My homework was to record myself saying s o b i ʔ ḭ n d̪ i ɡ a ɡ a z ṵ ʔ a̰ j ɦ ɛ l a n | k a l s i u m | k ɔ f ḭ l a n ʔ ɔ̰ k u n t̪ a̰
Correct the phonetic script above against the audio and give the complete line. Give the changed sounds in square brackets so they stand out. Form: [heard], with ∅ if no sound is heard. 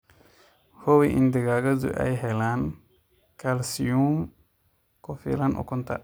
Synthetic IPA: [h] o [w] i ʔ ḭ n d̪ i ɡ a ɡ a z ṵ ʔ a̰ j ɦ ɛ l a n | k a l s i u m | k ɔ f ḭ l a n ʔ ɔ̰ k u n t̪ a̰